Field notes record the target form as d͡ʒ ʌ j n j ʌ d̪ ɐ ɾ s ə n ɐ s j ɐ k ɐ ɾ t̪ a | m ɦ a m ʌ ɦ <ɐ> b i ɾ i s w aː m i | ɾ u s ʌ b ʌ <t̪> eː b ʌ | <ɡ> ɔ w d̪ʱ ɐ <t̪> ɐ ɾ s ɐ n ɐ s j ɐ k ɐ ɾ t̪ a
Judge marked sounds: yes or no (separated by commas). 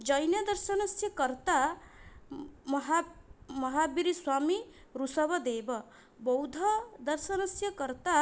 no, no, no, no